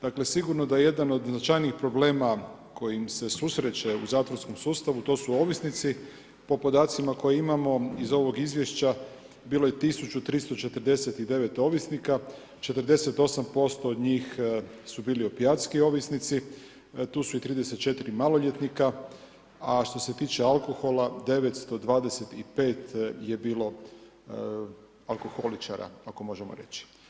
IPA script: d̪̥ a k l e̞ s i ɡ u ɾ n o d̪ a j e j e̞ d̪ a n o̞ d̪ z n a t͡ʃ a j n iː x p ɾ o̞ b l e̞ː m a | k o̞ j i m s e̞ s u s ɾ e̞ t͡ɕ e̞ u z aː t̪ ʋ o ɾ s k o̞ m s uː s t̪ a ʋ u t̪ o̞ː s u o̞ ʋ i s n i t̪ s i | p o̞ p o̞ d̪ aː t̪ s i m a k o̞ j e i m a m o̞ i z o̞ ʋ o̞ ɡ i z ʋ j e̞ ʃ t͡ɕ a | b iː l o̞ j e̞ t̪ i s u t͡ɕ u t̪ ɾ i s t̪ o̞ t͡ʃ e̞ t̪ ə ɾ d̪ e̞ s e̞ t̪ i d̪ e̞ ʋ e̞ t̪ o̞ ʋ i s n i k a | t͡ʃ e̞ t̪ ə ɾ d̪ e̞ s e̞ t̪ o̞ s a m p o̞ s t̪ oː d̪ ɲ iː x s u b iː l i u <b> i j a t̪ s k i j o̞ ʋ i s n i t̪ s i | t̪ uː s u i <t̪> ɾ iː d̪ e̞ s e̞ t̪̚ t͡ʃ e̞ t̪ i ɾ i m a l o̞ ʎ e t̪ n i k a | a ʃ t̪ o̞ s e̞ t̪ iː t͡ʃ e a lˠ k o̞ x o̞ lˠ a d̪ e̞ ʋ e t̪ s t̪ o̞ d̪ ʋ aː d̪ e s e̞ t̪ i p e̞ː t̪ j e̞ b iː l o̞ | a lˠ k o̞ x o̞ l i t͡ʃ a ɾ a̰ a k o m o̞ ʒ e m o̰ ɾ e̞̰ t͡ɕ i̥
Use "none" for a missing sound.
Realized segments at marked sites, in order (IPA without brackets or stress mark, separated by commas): p, t̪